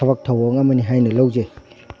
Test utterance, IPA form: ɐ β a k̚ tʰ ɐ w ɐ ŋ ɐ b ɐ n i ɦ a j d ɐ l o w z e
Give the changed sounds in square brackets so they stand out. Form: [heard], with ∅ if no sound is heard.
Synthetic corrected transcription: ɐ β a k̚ tʰ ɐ w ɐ ŋ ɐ [m] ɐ n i ɦ a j [n] ɐ l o w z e